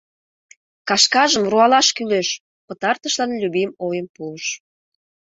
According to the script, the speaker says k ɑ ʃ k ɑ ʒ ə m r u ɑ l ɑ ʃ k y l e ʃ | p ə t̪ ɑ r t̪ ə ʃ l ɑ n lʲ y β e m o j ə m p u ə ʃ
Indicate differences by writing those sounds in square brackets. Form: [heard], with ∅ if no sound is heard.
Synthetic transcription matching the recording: k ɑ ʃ k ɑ ʒ ə m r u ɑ l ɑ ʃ k y l e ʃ | p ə t̪ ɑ r t̪ ə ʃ l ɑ n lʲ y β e m o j ə m p u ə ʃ

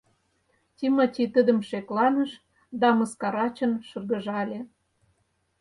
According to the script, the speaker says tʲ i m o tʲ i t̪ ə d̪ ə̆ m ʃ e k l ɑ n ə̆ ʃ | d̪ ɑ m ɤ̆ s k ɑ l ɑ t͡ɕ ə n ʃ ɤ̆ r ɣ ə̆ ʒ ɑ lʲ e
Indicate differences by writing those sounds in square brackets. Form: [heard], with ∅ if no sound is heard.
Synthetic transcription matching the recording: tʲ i m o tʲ i t̪ ə d̪ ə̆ m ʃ e k l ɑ n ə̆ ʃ | d̪ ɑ m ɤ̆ s k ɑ [ɾ] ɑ t͡ɕ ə n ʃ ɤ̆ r ɣ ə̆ ʒ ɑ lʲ e

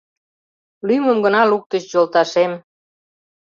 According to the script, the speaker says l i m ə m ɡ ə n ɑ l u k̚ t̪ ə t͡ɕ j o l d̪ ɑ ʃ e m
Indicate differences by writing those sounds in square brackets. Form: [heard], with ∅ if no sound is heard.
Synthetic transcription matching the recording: l [y] m ə m ɡ ə n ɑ l u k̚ t̪ ə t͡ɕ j o l [t̪] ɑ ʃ e m

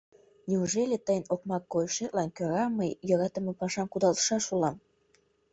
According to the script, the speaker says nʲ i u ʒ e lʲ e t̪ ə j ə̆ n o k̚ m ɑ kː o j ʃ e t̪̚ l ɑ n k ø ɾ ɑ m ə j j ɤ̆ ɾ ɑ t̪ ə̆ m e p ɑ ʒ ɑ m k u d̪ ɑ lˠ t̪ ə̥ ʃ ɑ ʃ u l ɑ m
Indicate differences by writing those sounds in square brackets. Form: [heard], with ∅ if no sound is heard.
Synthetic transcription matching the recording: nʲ i u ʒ e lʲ e t̪ ə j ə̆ n o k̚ m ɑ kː o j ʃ e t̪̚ l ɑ n k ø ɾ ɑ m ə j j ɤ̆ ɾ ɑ t̪ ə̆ m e p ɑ [ʃ] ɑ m k u d̪ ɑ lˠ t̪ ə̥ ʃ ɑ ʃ u l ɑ m

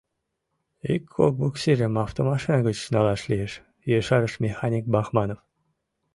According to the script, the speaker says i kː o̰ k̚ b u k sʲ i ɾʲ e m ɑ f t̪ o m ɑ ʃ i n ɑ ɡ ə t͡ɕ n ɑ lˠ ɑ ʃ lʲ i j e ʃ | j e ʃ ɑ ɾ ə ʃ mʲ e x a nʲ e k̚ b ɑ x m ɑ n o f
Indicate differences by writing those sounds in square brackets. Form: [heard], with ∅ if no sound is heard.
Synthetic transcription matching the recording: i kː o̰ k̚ b u k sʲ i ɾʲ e m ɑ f t̪ o m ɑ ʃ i n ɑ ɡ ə t͡ɕ n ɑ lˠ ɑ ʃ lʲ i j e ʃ | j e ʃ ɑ ɾ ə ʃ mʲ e x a nʲ [i] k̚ b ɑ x m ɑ n o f

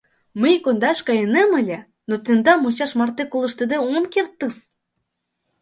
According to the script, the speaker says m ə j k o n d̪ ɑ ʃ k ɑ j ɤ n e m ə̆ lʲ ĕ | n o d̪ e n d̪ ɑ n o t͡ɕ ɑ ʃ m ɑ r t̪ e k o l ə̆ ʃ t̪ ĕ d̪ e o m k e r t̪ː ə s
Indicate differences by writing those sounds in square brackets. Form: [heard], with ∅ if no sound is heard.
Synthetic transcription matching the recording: m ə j k o n d̪ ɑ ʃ k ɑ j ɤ n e m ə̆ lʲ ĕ | n o [t̪] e n d̪ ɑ [m] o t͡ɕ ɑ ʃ m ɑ r t̪ e k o l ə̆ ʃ t̪ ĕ d̪ e o m k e r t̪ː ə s

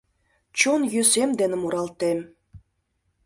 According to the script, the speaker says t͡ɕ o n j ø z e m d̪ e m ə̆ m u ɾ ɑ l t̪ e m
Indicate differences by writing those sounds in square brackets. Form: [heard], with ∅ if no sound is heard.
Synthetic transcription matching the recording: t͡ɕ o n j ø [s] e m d̪ e [n] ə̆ m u ɾ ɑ l t̪ e m

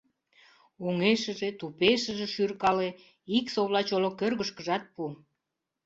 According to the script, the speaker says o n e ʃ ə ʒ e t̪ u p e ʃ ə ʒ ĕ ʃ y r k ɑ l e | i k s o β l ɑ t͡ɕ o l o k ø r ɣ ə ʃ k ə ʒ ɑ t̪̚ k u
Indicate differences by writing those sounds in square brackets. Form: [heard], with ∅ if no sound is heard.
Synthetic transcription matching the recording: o [ŋ] e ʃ ə ʒ e t̪ u p e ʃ ə ʒ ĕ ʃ y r k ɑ l e | i k s o β l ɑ t͡ɕ o l o k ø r ɣ ə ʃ k ə ʒ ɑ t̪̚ [p] u

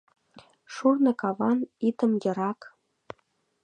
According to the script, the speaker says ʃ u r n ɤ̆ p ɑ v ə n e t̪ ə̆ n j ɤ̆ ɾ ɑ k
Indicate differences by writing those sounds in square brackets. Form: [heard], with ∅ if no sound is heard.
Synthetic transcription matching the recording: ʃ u r n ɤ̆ [k] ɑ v [ɑ] n [i] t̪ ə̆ [m] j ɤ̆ ɾ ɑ k

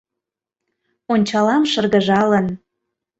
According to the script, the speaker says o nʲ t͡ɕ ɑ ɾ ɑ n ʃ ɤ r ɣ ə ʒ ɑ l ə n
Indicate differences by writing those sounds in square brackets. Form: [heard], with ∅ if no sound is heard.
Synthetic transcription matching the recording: o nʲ t͡ɕ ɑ [l] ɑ [m] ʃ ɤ r ɣ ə ʒ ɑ l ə n

